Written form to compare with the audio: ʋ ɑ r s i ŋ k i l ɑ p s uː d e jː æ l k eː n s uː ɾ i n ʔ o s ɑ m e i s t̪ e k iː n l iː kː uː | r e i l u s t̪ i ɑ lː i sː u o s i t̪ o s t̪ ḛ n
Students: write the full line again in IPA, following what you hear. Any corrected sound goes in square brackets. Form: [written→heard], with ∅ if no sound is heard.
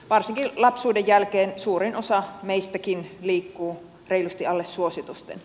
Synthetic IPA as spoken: ʋ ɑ r s i ŋ k i l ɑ p s uː d e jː æ l k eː n s uː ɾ i n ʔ o s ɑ m e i s t̪ [e→æ] k [iː→i] n l iː kː uː | r e i l u s t̪ i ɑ lː [i→e] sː u o s i t̪ [o→u] s t̪ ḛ n